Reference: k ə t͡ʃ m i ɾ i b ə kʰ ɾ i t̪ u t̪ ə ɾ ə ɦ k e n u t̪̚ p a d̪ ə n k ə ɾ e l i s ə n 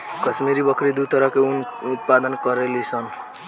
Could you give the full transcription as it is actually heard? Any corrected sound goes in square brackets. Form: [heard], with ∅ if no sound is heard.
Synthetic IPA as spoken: k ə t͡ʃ m i ɾ i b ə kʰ ɾ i [d̪] u t̪ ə ɾ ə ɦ k e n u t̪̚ p a d̪ ə n k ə ɾ e l i s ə n